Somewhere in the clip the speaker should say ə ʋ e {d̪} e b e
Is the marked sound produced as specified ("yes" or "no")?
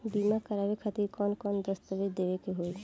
yes